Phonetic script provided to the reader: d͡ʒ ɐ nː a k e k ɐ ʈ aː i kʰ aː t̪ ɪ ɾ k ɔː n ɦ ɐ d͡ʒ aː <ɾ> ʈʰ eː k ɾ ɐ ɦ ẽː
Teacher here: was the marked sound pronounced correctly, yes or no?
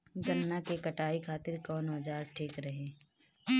yes